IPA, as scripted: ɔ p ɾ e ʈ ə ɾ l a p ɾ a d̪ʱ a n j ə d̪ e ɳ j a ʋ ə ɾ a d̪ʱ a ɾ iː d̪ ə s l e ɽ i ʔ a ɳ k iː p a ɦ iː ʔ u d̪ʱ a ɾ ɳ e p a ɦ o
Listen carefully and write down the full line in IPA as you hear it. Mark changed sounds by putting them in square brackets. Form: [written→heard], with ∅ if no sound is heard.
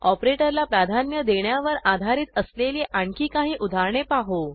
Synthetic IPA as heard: ɔ p ɾ e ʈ ə ɾ l a p ɾ a d̪ʱ a n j ə d̪ e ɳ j a ʋ ə ɾ a d̪ʱ a ɾ iː [d̪→t̪] ə s l e [ɽ→l] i ʔ a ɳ k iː [p→k] a ɦ iː ʔ u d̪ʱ a ɾ ɳ e p a ɦ o